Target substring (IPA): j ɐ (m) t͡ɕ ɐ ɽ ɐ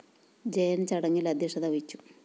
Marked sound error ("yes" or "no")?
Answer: yes